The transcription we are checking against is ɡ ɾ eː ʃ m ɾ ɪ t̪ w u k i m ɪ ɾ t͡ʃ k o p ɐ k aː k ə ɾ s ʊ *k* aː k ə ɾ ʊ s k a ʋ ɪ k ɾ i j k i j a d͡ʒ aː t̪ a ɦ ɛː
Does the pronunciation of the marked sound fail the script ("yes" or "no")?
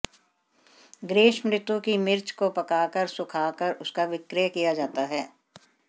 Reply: yes